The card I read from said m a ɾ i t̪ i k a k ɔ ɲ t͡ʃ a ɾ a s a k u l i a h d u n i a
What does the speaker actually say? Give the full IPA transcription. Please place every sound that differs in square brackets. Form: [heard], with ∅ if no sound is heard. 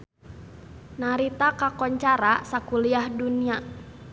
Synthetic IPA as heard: [n] a ɾ i t̪ [a] k a k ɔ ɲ t͡ʃ a ɾ a s a k u l i a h d u n i a